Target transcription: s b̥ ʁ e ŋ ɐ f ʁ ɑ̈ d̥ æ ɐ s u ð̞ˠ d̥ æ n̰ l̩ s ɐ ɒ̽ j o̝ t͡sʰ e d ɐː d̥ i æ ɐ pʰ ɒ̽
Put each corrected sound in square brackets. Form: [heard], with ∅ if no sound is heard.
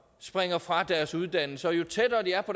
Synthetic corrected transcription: s b̥ ʁ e ŋ ɐ f ʁ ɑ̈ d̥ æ ɐ s u ð̞ˠ d̥ æ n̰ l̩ s [ə] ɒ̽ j o̝ t͡sʰ e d ɐː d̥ i æ ɐ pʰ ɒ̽